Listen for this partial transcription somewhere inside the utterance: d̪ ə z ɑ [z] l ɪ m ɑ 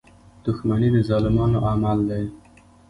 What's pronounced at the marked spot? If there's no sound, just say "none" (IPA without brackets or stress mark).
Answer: none